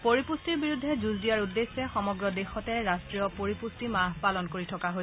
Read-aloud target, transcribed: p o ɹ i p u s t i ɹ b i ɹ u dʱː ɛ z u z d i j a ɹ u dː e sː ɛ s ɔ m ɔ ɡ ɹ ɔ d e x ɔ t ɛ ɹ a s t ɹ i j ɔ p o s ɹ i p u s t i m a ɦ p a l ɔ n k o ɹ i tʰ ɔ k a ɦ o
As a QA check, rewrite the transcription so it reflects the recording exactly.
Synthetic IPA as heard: p o ɹ i p u s t i ɹ b i ɹ u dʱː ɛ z u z d i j a ɹ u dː e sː ɛ x ɔ m ɔ ɡ ɹ ɔ d e x ɔ t ɛ ɹ a s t ɹ i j ɔ p o ɹ i p u s t i m a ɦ p a l ɔ n k o ɹ i tʰ ɔ k a ɦ o